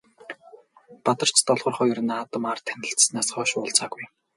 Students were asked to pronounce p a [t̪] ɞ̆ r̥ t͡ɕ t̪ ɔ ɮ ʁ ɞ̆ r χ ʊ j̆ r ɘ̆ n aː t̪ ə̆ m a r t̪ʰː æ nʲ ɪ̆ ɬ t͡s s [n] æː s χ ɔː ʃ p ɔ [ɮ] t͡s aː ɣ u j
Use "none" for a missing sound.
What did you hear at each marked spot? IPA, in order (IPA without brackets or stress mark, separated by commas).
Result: t̪, n, ɮ